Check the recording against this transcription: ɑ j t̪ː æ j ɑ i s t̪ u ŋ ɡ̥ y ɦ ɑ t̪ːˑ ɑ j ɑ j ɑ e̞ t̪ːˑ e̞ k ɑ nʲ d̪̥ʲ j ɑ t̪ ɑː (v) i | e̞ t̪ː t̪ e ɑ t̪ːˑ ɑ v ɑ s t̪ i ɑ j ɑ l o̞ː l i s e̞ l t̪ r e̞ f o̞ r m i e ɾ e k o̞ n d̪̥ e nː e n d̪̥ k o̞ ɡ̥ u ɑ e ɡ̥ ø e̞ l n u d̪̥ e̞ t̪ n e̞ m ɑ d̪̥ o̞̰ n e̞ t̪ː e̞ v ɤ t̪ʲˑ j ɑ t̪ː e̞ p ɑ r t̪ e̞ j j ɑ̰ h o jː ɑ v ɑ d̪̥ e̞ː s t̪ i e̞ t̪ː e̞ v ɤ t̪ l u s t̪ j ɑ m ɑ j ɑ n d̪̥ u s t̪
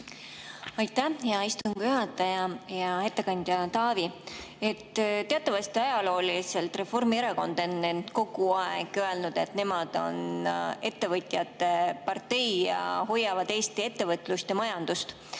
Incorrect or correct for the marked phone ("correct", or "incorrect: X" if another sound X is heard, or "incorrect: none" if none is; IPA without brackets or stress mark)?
correct